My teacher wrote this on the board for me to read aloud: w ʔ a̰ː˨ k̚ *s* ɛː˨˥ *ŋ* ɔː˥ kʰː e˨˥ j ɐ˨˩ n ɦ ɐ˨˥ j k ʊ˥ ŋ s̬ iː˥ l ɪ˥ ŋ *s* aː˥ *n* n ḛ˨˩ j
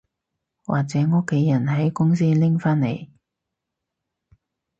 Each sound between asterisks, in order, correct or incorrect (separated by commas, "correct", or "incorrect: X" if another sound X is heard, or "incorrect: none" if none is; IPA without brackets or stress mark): incorrect: t͡s, correct, incorrect: f, correct